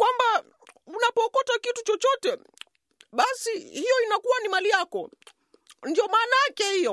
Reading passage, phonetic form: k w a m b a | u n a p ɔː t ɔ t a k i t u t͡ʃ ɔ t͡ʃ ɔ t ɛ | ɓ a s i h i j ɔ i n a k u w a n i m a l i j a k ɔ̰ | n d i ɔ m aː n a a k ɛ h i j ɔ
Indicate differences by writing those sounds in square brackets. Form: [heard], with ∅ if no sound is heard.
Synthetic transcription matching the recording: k w a m b a | u n a p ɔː [k] ɔ t a k i t u t͡ʃ ɔ t͡ʃ ɔ t ɛ | ɓ a s i h i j ɔ i n a k u w a n i m a l i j a k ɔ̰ | n d i ɔ m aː n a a k ɛ h i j ɔ